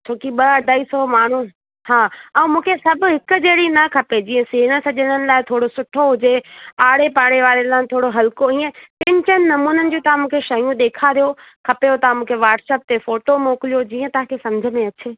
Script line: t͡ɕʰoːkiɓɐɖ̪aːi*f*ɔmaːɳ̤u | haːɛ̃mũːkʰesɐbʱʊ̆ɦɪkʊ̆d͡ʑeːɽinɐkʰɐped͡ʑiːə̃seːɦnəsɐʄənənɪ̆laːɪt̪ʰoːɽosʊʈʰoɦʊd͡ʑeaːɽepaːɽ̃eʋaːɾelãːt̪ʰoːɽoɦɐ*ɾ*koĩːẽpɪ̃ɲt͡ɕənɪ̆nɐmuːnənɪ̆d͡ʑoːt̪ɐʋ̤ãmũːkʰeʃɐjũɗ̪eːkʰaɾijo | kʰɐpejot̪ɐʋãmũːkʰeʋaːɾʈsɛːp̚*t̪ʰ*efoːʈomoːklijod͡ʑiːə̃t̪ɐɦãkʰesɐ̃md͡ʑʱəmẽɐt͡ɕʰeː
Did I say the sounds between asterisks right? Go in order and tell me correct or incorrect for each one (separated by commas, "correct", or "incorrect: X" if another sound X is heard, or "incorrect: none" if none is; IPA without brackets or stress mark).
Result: incorrect: s, incorrect: l, incorrect: t̪